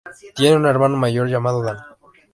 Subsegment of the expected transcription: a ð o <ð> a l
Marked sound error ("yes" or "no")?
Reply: no